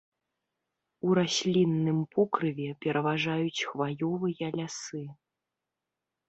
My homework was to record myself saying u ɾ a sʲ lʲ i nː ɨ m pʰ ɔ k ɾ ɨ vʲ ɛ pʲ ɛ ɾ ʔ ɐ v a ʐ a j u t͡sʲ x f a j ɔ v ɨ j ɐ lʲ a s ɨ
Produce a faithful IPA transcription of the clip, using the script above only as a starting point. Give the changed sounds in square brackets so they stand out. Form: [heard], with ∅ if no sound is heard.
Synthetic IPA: u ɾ a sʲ lʲ i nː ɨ m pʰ ɔ k ɾ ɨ vʲ ɛ pʲ ɛ ɾ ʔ ɐ v a ʐ a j u t͡sʲ x [v] a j ɔ v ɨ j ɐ lʲ a s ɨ